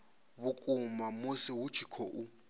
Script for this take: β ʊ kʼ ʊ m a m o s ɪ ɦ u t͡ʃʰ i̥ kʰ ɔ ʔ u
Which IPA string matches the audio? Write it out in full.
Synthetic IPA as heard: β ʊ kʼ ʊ m a m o s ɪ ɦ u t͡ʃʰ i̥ kʰ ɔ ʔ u